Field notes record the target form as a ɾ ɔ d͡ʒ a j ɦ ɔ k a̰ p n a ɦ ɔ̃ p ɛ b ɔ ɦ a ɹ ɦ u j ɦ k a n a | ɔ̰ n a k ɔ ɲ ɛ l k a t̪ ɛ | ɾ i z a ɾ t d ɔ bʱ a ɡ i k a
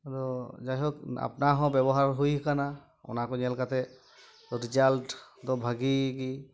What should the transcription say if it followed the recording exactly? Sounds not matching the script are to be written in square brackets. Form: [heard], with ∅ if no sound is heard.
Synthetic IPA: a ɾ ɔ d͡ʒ a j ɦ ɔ k a̰ p n a ɦ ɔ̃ [b] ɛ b ɔ ɦ a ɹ ɦ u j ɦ k a n a | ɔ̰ n a k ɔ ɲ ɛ l k a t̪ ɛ | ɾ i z a [l] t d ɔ bʱ a ɡ i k [i]

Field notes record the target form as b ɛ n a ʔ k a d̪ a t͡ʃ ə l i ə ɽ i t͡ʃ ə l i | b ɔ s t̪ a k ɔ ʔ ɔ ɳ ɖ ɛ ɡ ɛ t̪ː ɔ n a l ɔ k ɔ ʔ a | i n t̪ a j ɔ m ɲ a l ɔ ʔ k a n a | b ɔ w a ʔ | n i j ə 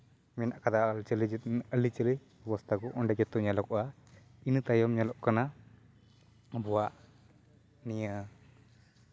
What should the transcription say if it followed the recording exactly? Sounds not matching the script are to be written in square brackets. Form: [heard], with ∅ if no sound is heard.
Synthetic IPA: [m] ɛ n a ʔ k a d̪ a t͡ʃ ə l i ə [l] i t͡ʃ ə l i | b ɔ s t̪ a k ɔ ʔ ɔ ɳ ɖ ɛ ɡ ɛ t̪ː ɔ [ɲ] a l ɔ k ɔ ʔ a | i n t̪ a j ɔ m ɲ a l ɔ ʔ k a n a | b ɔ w a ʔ | n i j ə

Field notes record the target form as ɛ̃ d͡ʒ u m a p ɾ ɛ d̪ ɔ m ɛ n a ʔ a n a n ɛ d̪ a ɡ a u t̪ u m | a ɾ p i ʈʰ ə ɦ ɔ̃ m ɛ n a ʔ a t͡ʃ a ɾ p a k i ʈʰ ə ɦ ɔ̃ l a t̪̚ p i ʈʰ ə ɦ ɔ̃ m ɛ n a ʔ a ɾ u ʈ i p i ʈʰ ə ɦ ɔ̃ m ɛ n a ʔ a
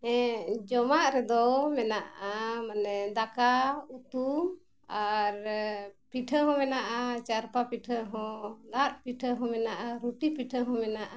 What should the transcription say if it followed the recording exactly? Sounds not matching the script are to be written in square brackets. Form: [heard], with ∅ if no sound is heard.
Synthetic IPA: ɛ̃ d͡ʒ [ɔ] m a [ʔ] ɾ ɛ d̪ ɔ m ɛ n a ʔ a [m] a n ɛ d̪ a [k] a u t̪ u m | a ɾ p i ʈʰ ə ɦ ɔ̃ m ɛ n a ʔ a t͡ʃ a ɾ p a [p] i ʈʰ ə ɦ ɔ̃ l a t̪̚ p i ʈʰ ə ɦ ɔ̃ m ɛ n a ʔ a ɾ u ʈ i p i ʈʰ ə ɦ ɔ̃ m ɛ n a ʔ a

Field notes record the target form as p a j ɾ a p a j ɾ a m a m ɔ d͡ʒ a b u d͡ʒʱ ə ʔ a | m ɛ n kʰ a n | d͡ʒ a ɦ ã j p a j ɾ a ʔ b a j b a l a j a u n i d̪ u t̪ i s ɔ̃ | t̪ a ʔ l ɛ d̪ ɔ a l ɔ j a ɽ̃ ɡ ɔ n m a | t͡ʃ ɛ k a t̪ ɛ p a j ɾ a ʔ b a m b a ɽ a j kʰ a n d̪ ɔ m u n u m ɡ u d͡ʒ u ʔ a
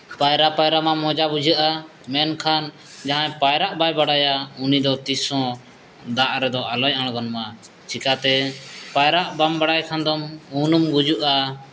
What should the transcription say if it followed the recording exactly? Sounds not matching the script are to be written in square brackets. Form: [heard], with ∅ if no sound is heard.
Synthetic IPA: p a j ɾ a p a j ɾ a m a m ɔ d͡ʒ a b u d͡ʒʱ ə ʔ a | m ɛ n kʰ a n | d͡ʒ a ɦ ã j p a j ɾ a ʔ b a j b a [ɽ] a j a u n i d̪ [ɔ] t̪ i s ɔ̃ | [d̪] a ʔ [ɾ] ɛ d̪ ɔ a l ɔ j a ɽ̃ ɡ ɔ n m a | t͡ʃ [i] k a t̪ ɛ p a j ɾ a ʔ b a m b a ɽ a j kʰ a n d̪ ɔ m u n u m ɡ u d͡ʒ u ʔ a

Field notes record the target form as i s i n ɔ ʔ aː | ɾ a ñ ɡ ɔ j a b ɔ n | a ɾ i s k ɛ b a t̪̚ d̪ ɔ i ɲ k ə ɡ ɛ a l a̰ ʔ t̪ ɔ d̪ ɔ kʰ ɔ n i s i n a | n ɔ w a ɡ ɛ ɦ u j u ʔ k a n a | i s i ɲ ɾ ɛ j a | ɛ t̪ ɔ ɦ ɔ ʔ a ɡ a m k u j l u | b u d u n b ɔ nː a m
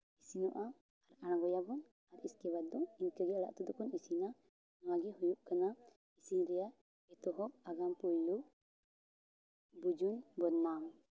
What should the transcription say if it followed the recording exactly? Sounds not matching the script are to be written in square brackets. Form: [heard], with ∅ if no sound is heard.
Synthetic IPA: i s i n ɔ ʔ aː | ɾ a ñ ɡ ɔ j a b ɔ n | a ɾ i s k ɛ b a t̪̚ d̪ ɔ i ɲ k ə ɡ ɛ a l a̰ ʔ t̪ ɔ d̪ ɔ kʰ ɔ n i s i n a | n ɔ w a ɡ ɛ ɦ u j u ʔ k a n a | i s i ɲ ɾ ɛ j a | ɛ t̪ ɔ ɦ ɔ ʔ a ɡ a m [p] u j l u | b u [d͡ʒ] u n b ɔ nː a m

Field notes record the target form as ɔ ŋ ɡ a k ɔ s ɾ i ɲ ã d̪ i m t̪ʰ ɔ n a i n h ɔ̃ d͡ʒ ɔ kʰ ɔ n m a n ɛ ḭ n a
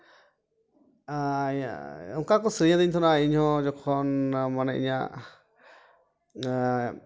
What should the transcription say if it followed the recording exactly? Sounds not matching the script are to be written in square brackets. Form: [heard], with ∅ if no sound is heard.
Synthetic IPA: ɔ ŋ [k] a k ɔ s ɾ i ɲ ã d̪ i [ɲ] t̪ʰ ɔ n a i [ɲ] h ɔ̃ d͡ʒ ɔ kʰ ɔ n m a n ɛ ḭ [ɲ] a

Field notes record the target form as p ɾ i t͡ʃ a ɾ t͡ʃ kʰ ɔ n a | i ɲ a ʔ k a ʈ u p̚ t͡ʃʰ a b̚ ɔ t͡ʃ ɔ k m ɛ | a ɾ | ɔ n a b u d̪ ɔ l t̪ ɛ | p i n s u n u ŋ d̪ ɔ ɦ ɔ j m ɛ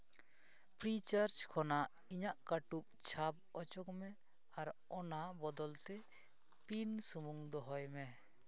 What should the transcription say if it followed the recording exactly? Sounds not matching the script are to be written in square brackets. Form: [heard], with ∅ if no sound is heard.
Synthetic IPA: p ɾ i t͡ʃ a ɾ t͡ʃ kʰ ɔ n a | i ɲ a ʔ k a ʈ u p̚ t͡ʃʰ a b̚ ɔ t͡ʃ ɔ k m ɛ | a ɾ | ɔ n a b [ɔ] d̪ ɔ l t̪ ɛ | p i n s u [m] u ŋ d̪ ɔ ɦ ɔ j m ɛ

